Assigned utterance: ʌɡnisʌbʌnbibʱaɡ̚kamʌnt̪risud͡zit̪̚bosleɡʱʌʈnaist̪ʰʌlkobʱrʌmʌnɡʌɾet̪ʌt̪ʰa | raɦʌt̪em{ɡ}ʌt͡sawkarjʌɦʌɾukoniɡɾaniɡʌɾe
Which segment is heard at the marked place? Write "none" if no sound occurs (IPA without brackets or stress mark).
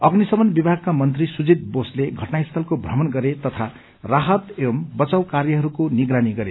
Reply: b